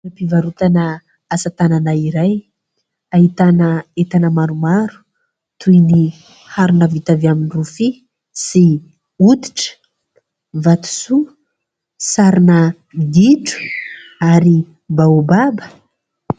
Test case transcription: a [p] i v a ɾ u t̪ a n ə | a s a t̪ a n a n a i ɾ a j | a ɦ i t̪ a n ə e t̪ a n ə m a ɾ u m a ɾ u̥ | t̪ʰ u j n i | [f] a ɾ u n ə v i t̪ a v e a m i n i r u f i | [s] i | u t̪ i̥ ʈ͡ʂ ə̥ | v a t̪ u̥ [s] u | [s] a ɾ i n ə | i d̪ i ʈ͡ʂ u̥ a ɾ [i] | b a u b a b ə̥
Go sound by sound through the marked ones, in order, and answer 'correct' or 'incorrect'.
correct, incorrect: h, correct, correct, correct, correct

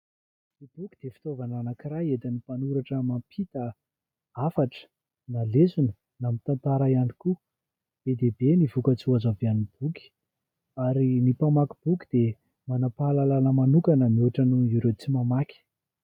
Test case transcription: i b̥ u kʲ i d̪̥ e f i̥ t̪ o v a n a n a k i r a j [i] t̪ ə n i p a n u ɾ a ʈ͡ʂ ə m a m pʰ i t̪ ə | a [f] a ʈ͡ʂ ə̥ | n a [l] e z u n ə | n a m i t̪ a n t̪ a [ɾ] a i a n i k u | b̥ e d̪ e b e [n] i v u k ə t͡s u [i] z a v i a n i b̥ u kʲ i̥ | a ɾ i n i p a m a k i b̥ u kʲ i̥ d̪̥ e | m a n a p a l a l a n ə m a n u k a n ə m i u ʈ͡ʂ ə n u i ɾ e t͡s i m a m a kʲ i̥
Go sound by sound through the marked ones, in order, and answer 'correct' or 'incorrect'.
incorrect: e, correct, correct, correct, correct, incorrect: a

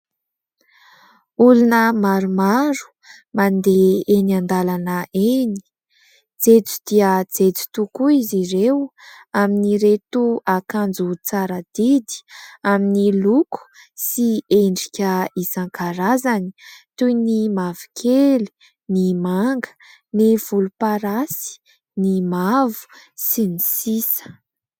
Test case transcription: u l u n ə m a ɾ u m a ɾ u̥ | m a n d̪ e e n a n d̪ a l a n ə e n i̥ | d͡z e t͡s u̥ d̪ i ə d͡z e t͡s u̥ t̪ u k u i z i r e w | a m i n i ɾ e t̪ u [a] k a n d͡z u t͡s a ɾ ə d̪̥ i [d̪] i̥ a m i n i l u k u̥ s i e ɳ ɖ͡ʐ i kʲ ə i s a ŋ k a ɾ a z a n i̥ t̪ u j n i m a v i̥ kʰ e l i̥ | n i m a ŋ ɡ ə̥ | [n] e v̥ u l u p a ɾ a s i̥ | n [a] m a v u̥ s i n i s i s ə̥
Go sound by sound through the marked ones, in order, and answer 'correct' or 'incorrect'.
correct, correct, correct, incorrect: i

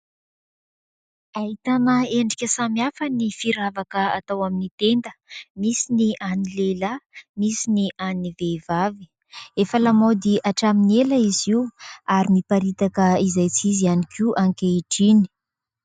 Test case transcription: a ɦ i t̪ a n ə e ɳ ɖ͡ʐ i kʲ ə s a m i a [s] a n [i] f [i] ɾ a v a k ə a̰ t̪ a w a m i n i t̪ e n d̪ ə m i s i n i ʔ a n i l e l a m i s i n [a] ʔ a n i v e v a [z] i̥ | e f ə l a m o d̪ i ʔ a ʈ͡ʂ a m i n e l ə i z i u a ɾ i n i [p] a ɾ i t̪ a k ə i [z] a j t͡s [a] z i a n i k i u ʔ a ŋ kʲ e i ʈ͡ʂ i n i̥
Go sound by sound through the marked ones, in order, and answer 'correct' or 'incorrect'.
incorrect: f, correct, correct, incorrect: i, incorrect: v, correct, correct, incorrect: i

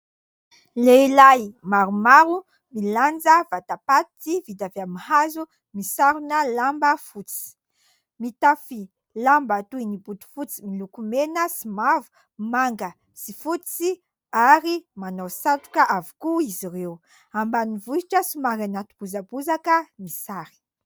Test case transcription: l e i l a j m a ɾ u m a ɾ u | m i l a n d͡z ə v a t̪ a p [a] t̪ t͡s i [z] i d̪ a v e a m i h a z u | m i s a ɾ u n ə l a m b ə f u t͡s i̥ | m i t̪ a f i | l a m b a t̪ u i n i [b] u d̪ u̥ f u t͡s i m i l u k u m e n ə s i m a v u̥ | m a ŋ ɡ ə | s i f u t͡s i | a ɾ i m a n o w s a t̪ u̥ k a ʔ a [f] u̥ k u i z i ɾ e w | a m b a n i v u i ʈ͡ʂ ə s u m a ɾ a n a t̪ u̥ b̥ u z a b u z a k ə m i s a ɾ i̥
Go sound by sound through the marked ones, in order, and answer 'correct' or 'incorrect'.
correct, incorrect: v, correct, incorrect: v

